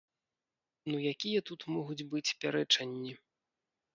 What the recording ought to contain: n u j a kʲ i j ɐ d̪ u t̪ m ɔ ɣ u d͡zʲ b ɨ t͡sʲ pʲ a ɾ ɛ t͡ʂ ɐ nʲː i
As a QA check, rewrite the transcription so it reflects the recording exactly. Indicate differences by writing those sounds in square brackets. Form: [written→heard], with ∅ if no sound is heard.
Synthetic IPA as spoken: n u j a kʲ i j ɐ [d̪→t̪] u t̪ m ɔ ɣ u d͡zʲ b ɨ t͡sʲ pʲ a ɾ ɛ t͡ʂ ɐ nʲː i